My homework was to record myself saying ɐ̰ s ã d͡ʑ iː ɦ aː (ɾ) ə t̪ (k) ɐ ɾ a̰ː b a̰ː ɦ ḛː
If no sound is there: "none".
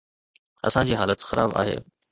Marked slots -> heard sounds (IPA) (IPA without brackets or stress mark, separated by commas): l, x